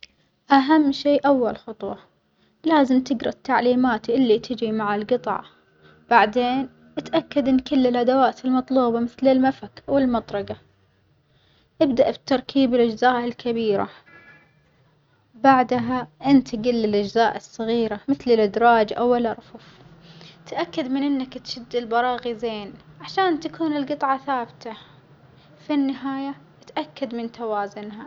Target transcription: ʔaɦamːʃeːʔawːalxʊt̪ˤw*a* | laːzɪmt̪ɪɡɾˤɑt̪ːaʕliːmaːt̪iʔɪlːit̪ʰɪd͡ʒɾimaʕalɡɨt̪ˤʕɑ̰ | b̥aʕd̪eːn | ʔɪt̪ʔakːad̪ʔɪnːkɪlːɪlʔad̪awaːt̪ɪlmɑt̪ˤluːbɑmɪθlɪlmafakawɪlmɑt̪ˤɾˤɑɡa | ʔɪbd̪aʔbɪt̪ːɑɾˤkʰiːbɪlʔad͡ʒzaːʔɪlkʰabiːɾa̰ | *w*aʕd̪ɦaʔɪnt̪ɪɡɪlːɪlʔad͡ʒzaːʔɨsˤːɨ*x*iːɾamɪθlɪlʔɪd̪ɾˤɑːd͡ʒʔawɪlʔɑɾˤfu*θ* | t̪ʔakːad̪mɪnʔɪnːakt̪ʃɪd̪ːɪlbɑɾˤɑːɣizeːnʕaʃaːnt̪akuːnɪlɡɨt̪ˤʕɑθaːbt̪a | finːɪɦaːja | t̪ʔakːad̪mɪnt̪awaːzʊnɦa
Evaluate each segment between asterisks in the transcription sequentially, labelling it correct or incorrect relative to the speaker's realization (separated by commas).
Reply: incorrect, incorrect, incorrect, incorrect